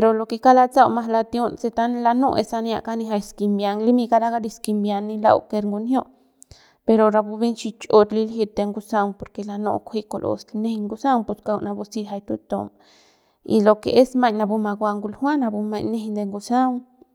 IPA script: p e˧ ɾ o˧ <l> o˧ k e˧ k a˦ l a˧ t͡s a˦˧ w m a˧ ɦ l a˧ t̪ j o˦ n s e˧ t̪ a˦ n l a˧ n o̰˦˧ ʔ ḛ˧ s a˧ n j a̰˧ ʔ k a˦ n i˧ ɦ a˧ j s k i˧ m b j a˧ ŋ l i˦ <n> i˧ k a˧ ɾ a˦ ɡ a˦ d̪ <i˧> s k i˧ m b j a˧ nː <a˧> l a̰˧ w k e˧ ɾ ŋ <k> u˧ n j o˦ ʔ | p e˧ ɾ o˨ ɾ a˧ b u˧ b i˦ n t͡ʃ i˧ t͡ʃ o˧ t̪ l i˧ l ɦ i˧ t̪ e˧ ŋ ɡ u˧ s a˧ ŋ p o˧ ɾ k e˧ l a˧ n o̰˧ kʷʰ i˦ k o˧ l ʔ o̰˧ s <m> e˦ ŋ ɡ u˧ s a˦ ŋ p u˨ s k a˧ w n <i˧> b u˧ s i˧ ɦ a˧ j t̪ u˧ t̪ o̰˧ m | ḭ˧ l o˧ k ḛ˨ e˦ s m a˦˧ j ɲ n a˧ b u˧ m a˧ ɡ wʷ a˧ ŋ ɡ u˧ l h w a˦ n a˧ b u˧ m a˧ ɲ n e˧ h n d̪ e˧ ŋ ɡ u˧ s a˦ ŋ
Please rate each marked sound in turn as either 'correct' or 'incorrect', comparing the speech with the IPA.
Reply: correct, incorrect, correct, incorrect, incorrect, incorrect, incorrect

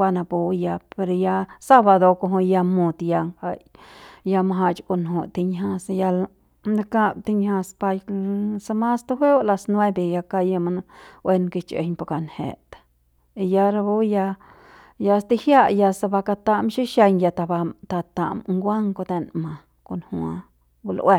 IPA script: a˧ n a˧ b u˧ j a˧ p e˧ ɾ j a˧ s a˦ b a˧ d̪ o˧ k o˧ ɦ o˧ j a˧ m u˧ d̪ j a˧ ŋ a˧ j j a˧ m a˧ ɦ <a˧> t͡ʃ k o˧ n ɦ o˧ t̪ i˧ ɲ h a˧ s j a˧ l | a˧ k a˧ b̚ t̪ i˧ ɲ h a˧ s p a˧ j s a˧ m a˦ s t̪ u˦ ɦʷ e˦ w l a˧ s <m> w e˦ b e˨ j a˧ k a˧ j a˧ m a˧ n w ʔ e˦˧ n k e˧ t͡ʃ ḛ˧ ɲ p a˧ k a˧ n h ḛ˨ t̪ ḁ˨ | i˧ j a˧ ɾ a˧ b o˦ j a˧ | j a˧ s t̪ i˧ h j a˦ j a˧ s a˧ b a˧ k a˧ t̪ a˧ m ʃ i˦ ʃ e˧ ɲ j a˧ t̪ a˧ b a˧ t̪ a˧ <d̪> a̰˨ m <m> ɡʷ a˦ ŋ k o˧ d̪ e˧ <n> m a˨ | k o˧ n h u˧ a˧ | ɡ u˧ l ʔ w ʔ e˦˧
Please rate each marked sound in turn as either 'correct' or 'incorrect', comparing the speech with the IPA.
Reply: correct, incorrect, incorrect, incorrect, correct

